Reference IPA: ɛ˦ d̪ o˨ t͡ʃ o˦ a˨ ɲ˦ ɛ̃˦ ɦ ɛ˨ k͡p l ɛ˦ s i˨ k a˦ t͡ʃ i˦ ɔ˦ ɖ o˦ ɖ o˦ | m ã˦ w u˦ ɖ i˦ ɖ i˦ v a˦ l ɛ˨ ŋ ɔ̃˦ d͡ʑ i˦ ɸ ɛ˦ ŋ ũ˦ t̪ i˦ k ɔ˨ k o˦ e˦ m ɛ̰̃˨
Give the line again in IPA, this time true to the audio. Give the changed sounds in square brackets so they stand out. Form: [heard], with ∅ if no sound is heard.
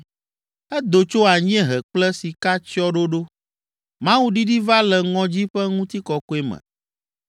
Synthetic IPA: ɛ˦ d̪ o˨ t͡ʃ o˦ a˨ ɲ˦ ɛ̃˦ ɦ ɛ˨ k͡p l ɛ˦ s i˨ k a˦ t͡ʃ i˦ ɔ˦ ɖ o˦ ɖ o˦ | m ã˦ w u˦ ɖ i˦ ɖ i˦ v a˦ l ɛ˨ ŋ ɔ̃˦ d͡ʑ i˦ ɸ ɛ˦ ŋ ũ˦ t̪ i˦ k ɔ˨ k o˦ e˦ m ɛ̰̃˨